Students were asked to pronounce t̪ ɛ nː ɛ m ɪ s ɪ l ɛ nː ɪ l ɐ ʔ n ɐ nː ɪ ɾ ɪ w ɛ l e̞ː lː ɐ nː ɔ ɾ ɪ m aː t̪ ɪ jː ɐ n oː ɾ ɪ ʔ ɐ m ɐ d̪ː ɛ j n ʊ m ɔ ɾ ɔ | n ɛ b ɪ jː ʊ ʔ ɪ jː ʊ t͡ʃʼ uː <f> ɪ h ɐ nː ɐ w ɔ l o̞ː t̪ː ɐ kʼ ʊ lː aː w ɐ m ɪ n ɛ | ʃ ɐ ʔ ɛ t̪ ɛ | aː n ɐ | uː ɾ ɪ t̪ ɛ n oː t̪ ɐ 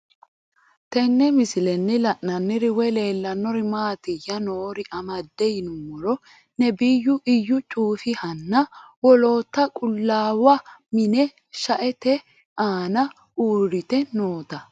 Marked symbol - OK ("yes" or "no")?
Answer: yes